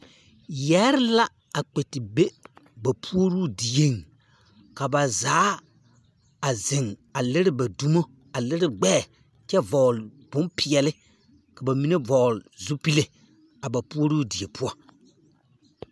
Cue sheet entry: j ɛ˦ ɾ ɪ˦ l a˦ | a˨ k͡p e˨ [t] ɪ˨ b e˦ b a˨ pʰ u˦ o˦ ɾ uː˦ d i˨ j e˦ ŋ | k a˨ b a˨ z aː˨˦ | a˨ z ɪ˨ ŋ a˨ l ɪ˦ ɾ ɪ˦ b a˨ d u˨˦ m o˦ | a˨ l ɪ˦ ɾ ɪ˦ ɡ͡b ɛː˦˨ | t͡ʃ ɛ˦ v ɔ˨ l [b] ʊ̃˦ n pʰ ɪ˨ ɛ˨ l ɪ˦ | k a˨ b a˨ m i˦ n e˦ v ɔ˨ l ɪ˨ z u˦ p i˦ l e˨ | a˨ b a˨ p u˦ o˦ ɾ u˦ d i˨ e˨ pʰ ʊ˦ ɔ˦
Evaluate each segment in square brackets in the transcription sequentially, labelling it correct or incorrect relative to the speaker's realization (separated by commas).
correct, correct